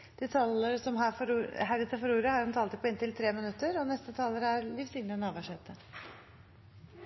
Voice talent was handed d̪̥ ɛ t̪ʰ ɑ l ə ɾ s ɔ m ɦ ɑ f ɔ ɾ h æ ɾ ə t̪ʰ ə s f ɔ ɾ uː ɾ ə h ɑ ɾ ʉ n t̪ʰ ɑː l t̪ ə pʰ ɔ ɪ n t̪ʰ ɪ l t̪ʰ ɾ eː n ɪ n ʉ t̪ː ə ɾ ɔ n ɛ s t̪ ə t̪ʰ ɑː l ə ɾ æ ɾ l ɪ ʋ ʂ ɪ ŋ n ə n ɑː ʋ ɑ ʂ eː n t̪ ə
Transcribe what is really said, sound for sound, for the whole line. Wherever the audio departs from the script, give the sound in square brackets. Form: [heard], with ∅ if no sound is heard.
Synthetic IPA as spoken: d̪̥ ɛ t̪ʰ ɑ l ə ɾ s ɔ m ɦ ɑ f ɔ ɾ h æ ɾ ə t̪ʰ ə [∅] f ɔ ɾ uː ɾ ə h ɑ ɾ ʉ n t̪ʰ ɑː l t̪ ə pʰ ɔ ɪ n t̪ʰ ɪ l t̪ʰ ɾ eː [m] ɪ n ʉ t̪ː ə ɾ ɔ n ɛ s t̪ ə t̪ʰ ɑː l ə ɾ æ ɾ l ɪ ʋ [s] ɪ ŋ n ə n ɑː ʋ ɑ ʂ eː [∅] t̪ ə